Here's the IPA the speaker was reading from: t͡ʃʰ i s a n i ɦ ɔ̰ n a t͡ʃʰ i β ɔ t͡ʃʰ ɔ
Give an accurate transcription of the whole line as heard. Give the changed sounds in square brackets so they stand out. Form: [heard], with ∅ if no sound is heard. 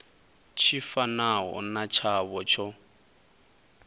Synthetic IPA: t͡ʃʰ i [f] a n [a] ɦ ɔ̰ n a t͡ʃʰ [a] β ɔ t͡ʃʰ ɔ